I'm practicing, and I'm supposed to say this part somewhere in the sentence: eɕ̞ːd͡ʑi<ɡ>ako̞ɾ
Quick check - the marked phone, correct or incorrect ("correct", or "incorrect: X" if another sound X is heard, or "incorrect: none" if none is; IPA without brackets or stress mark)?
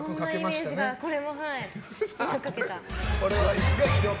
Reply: correct